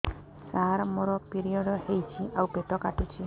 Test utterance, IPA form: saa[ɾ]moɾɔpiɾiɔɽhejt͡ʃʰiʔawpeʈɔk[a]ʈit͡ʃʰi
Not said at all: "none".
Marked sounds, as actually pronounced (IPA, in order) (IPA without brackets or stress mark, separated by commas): ɾ, a